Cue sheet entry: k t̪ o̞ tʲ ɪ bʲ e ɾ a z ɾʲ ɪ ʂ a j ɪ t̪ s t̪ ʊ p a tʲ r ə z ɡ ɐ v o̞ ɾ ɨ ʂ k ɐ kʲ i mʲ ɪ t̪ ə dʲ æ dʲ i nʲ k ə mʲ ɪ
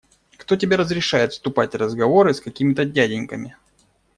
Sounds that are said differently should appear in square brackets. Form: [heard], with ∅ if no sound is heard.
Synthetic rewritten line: k t̪ o̞ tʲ ɪ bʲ e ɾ [ə] z ɾʲ ɪ ʂ a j ɪ t̪ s t̪ ʊ p a tʲ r ə z ɡ ɐ v o̞ ɾ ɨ [s] k ɐ kʲ i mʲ ɪ t̪ ə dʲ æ dʲ [ɪ] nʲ k ə mʲ ɪ